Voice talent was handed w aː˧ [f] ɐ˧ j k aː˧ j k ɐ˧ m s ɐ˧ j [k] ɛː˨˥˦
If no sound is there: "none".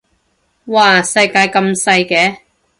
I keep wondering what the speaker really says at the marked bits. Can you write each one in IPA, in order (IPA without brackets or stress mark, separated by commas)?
s, k